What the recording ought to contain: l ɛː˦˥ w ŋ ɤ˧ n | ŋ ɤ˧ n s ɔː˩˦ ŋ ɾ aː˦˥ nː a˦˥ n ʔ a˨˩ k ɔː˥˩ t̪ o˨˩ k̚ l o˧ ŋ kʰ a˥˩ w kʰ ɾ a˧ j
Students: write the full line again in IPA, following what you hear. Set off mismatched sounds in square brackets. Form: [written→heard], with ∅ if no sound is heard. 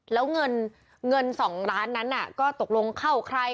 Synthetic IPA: l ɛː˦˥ w ŋ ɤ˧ n | ŋ ɤ˧ n s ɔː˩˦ ŋ ɾ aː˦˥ nː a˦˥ n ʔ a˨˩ k ɔː˥˩ t̪ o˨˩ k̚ l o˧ ŋ kʰ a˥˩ w kʰ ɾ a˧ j

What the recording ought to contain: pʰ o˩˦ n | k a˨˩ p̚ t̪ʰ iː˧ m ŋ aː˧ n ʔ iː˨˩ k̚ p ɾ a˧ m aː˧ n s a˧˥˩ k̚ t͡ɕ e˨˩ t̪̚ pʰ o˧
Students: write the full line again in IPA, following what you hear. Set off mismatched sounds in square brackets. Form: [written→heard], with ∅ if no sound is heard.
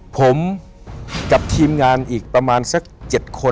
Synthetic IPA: pʰ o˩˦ [n→m] | k a˨˩ p̚ t̪ʰ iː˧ m ŋ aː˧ n ʔ iː˨˩ k̚ p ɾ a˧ m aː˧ n s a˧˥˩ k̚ t͡ɕ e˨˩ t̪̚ [pʰ→kʰ] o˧

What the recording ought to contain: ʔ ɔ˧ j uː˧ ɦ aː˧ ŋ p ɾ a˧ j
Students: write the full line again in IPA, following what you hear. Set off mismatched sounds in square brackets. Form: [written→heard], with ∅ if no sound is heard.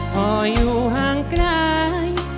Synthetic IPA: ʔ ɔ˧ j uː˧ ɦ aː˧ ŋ [p→k] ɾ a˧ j

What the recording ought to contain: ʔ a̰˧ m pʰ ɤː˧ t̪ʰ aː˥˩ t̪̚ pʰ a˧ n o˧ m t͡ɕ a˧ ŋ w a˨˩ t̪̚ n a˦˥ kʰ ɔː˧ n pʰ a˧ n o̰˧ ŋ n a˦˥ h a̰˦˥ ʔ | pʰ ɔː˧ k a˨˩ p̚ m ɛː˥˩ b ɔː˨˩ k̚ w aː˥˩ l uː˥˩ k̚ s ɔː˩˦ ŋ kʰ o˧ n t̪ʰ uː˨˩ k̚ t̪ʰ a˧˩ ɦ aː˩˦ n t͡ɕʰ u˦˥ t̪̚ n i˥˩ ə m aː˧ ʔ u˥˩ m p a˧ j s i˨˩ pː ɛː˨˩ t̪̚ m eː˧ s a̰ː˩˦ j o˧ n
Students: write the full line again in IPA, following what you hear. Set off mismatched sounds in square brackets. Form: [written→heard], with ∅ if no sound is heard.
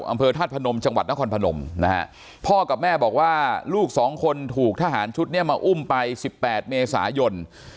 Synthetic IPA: ʔ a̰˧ m pʰ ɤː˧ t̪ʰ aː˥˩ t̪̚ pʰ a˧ n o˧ m t͡ɕ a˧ ŋ w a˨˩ t̪̚ n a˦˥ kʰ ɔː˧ n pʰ a˧ n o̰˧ [ŋ→m] n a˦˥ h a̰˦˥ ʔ | pʰ [ɔː˧→ɔː˥˩] k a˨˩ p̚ m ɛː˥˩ b ɔː˨˩ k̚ w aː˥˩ l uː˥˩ k̚ s ɔː˩˦ ŋ kʰ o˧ n t̪ʰ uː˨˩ k̚ t̪ʰ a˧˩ ɦ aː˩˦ n t͡ɕʰ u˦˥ t̪̚ n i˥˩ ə m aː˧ ʔ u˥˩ m p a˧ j s i˨˩ pː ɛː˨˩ t̪̚ m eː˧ s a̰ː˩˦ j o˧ n

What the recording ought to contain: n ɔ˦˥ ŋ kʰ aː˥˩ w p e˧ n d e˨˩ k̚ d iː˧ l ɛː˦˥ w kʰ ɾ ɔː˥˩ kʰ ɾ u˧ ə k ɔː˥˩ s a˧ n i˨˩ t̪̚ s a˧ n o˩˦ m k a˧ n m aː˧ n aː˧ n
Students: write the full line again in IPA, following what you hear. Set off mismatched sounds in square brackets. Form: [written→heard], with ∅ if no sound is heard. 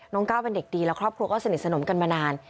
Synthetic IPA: n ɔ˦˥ ŋ [kʰ→k] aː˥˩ w p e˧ n d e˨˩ k̚ d iː˧ l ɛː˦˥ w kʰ ɾ ɔː˥˩ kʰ ɾ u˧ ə k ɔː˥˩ s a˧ n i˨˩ t̪̚ s a˧ n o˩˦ m k a˧ n m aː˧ n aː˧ n

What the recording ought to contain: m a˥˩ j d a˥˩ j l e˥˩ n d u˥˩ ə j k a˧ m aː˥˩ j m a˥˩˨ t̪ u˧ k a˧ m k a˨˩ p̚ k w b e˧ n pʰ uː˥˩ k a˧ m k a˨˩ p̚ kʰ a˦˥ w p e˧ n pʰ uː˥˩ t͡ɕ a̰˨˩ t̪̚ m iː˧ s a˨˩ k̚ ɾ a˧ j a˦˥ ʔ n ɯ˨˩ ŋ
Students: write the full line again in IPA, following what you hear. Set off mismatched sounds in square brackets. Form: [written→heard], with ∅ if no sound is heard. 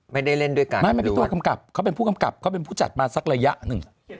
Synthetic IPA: m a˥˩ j d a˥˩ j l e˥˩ n d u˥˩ ə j k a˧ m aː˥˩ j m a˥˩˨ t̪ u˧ k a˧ m k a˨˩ p̚ [k→kʰ] w [b→p] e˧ n pʰ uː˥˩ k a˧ m k a˨˩ p̚ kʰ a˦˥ w p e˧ n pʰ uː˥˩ t͡ɕ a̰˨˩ t̪̚ m [iː˧→aː˧] s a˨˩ k̚ ɾ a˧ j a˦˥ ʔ n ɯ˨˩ ŋ

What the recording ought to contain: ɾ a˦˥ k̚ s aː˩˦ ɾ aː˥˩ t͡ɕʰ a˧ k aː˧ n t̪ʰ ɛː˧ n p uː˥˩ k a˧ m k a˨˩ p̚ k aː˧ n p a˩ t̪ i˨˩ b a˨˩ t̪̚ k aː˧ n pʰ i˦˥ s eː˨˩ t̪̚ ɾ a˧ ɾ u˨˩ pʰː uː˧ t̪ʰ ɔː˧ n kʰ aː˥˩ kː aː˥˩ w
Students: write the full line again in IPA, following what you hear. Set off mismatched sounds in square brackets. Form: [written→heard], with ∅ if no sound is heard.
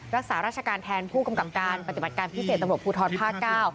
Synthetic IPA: ɾ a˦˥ k̚ s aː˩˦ ɾ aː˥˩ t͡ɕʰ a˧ k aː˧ n t̪ʰ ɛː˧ n [p→pʰ] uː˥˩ k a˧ m k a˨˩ p̚ k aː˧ n p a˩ t̪ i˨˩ b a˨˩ t̪̚ k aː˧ n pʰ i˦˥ s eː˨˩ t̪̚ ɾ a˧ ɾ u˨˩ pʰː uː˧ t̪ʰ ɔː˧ n [kʰ→pʰ] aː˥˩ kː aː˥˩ w

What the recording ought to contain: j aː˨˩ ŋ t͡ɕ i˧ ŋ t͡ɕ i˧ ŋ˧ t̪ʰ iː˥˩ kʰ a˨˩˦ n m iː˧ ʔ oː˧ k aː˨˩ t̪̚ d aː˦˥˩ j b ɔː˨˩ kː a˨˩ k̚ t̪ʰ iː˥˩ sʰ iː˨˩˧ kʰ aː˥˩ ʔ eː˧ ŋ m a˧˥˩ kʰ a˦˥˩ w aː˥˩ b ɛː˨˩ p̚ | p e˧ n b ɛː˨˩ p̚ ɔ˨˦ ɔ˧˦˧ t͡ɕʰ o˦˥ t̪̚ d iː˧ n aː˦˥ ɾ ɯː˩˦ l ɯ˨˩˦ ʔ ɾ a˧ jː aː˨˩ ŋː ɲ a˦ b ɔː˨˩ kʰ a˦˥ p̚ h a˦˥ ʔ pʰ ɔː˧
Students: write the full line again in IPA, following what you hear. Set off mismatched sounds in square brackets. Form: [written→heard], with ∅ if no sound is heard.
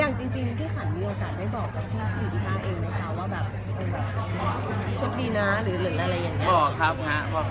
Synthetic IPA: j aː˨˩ ŋ t͡ɕ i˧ ŋ t͡ɕ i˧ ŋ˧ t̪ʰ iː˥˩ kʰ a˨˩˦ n m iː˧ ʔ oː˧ k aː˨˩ t̪̚ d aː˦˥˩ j b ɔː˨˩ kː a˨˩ [k̚→p̚] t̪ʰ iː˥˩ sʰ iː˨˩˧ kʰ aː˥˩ ʔ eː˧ ŋ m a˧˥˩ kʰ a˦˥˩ w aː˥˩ b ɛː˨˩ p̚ | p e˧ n b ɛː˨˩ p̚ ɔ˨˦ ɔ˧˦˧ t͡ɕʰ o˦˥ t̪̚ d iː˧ n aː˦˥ ɾ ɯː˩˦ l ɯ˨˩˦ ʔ ɾ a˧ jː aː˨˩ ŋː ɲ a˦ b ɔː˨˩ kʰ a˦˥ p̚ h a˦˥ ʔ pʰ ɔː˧

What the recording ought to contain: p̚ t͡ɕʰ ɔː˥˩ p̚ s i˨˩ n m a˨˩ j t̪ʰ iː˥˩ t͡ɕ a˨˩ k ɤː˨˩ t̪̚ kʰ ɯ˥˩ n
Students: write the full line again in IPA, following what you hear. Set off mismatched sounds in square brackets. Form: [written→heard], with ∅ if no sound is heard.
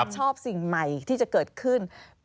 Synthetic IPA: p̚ t͡ɕʰ ɔː˥˩ p̚ s i˨˩ [n→ŋ] m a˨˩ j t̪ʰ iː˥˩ t͡ɕ a˨˩ k ɤː˨˩ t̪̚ kʰ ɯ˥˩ n

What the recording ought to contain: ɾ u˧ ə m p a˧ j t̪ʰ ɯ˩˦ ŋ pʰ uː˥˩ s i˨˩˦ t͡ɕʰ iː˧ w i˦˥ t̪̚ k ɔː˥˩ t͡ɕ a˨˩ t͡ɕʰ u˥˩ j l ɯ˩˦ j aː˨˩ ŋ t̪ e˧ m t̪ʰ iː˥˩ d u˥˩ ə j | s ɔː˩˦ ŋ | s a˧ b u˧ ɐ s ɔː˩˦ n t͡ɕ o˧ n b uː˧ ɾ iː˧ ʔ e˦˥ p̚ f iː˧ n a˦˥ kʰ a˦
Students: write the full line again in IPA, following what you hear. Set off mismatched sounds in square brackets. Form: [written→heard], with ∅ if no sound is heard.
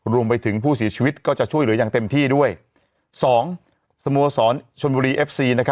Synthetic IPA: ɾ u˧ ə m p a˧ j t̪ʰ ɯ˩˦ ŋ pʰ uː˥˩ s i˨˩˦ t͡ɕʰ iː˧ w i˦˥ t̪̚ k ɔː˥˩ t͡ɕ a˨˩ t͡ɕʰ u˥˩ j l ɯ˩˦ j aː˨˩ ŋ t̪ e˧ m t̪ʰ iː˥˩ d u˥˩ ə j | s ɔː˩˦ ŋ | s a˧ [b→m] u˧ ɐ s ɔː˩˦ n [t͡ɕ→t͡ɕʰ] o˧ n b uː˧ ɾ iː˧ ʔ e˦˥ p̚ [f→s] iː˧ n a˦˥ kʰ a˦

